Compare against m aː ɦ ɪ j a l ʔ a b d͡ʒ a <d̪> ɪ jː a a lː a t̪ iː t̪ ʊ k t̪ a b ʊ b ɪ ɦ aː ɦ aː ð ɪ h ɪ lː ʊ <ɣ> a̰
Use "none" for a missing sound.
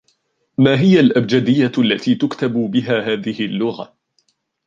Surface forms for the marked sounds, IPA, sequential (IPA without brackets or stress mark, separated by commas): d̪, ɣ